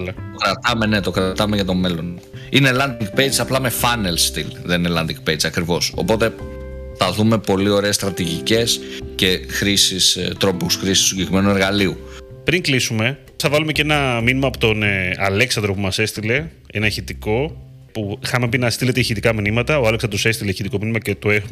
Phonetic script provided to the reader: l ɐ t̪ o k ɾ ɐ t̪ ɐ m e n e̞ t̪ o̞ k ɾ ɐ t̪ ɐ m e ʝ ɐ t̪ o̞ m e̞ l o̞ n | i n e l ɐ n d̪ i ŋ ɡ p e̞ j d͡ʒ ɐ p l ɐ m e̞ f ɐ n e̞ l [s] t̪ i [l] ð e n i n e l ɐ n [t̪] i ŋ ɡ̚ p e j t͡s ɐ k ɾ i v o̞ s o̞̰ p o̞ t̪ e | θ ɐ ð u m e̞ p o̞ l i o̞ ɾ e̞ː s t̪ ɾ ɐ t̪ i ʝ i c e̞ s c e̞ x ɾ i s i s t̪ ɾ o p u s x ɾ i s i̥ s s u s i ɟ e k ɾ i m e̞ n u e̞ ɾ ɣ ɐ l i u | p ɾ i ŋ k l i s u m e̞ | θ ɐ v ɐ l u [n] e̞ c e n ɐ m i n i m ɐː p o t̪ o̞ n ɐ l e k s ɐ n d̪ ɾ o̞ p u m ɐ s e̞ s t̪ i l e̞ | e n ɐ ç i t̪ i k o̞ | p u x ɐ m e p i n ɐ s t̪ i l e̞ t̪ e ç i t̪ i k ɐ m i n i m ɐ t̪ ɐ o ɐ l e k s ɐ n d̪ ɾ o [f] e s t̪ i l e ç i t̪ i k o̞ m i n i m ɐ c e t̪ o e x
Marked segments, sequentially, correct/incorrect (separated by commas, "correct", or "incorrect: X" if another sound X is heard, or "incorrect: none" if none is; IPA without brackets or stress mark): correct, correct, incorrect: d̪, incorrect: m, incorrect: s